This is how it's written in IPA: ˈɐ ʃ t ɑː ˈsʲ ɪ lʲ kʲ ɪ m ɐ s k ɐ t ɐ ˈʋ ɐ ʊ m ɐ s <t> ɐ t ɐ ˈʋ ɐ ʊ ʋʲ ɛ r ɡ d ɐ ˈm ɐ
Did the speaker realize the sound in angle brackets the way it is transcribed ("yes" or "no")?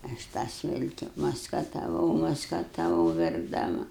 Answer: no